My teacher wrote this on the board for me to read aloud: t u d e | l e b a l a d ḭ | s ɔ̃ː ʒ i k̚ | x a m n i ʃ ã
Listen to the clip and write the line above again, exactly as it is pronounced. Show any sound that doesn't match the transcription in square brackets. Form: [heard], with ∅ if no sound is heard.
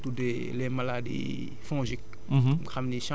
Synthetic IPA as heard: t u d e | l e [m] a l a d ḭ | [f] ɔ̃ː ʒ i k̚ | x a m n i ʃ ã